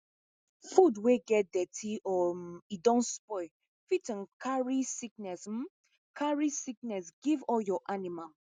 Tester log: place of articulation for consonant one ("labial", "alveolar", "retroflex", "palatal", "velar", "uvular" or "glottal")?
labial